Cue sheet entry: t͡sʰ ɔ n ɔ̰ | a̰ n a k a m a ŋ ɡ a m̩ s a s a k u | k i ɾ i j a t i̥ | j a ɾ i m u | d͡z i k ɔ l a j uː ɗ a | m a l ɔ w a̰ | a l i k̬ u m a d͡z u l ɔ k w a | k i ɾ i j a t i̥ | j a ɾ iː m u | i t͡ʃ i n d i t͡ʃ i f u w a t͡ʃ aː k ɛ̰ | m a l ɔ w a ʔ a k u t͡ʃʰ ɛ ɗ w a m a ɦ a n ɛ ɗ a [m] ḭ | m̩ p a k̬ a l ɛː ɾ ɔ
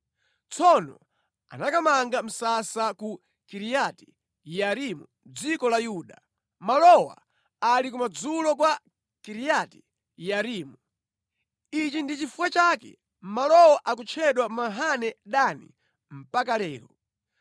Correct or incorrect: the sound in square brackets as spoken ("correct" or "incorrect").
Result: incorrect